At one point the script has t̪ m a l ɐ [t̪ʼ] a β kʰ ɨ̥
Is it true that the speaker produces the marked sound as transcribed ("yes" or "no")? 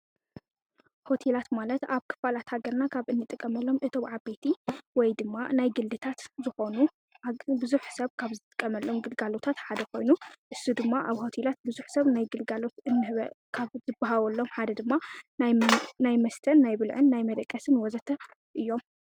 no